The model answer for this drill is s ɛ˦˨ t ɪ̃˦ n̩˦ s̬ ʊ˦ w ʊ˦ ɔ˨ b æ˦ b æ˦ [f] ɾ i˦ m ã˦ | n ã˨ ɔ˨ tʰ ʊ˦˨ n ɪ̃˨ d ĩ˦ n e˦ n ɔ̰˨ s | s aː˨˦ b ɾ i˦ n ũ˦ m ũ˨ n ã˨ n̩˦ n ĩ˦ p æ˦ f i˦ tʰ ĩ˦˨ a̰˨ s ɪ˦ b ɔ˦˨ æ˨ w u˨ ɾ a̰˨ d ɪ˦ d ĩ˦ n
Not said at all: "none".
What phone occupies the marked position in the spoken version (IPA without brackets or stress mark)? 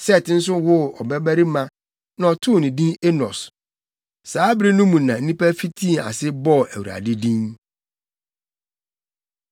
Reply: none